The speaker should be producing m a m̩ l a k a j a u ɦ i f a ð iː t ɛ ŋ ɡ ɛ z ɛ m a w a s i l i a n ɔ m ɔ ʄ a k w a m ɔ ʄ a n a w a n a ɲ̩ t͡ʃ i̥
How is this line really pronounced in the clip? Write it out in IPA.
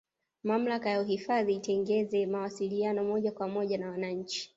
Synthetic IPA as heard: m a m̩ l a k a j a u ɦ i f a ð iː t ɛ ŋ ɡ ɛ z ɛ m a w a s i l i a n ɔ m ɔ ʄ a k w a m ɔ ʄ a n a w a n a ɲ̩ t͡ʃ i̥